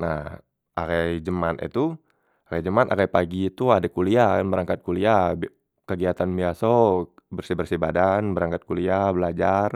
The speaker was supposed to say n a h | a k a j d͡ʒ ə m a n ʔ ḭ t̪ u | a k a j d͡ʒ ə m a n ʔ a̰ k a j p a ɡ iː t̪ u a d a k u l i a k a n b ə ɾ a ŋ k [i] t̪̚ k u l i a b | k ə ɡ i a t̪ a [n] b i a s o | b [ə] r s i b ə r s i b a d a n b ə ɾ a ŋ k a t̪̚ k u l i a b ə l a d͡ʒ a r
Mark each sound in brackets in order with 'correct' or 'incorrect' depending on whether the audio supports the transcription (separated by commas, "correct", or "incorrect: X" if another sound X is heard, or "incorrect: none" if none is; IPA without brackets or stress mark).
incorrect: a, correct, correct